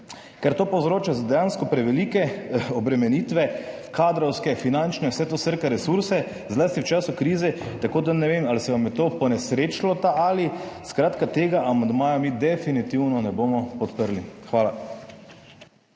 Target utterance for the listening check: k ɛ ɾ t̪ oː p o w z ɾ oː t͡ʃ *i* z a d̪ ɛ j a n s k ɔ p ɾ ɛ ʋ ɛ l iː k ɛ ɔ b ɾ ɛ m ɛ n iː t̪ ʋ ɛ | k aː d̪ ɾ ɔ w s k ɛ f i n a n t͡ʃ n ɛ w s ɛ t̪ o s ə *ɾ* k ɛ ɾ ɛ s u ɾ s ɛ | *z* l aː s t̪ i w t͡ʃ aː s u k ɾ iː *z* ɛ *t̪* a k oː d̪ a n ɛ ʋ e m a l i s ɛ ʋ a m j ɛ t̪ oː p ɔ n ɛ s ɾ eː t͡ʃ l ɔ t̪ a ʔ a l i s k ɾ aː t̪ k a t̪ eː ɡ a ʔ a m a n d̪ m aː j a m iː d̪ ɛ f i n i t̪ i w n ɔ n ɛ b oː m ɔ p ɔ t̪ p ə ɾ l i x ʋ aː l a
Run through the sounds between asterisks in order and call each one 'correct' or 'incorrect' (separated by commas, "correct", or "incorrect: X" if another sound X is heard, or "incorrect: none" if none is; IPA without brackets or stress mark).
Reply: incorrect: a, correct, correct, correct, correct